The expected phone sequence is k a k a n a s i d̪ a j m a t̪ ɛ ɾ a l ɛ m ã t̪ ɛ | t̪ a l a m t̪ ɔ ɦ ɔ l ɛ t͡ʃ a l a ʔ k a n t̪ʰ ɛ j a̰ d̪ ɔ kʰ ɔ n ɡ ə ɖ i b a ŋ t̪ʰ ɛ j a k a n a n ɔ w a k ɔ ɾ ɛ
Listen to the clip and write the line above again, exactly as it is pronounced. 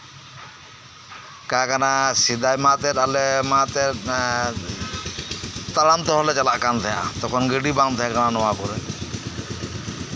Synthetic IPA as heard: k a k a n a s i d̪ a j m a t̪ ɛ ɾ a l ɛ m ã t̪ ɛ | t̪ a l a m t̪ ɔ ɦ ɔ l ɛ t͡ʃ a l a ʔ k a n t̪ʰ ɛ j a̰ t̪ ɔ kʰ ɔ n ɡ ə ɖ i b a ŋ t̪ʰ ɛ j a k a n a n ɔ w a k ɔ ɾ ɛ